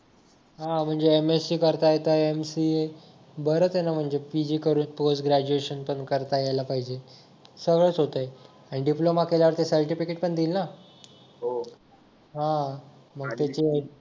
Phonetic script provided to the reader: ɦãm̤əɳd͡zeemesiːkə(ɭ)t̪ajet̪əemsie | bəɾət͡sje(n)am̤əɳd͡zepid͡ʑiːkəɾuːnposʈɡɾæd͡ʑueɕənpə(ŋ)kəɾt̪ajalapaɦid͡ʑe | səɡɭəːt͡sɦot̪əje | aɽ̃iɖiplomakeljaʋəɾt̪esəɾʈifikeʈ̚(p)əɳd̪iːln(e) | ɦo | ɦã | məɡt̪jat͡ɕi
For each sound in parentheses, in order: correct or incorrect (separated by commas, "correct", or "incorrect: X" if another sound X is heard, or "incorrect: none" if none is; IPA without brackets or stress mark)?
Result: incorrect: ɾ, correct, incorrect: ɳ, correct, incorrect: a